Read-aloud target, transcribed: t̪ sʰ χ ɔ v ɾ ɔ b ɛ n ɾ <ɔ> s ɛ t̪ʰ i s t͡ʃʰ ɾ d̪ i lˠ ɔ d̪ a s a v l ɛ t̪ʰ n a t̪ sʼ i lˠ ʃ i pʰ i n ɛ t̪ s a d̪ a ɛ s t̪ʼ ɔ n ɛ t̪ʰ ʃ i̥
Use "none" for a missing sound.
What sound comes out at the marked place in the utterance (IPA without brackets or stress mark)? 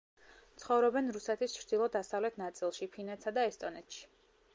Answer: u